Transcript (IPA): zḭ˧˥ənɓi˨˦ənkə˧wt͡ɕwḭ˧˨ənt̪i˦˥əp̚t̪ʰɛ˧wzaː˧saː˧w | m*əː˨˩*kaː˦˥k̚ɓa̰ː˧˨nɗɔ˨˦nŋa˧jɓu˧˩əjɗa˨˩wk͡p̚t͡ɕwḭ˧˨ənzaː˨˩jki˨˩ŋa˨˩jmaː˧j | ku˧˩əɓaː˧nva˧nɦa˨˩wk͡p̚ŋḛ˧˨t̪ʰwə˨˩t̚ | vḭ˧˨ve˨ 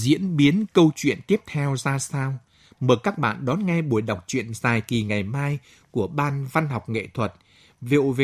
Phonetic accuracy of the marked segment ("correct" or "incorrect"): correct